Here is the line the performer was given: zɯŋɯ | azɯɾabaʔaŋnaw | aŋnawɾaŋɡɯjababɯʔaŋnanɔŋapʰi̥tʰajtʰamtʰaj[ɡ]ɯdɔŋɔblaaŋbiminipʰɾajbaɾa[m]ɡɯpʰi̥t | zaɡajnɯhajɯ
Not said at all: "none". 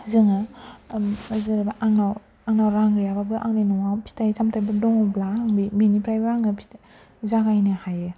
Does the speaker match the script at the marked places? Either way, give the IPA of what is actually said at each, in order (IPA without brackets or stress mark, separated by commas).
b, ŋ